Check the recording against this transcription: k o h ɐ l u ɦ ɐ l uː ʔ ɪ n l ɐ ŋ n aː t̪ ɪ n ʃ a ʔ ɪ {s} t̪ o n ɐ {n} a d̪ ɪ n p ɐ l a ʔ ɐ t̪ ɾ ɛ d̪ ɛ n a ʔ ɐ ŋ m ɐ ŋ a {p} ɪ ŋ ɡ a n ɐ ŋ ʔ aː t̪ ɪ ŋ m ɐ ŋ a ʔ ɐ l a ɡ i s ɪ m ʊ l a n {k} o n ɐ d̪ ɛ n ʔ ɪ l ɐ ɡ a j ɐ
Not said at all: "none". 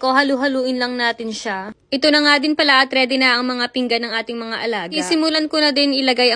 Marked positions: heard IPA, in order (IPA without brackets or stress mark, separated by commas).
none, ŋ, p, k